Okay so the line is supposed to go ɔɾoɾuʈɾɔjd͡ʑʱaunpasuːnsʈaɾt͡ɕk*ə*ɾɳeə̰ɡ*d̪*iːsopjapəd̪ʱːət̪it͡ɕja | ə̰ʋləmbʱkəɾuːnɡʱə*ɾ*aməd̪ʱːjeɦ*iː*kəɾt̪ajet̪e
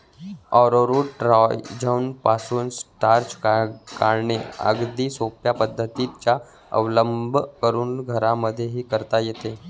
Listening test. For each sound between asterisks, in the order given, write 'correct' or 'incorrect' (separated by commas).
incorrect, correct, correct, correct